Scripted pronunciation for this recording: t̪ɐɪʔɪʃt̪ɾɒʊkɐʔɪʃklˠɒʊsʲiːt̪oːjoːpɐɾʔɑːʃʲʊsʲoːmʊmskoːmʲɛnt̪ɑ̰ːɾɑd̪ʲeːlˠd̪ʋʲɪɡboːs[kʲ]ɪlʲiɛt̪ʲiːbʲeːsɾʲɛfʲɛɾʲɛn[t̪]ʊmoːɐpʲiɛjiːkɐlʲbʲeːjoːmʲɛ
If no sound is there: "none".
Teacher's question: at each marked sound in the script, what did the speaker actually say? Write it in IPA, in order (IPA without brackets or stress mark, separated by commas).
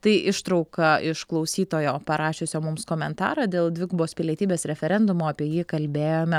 pʲ, d̪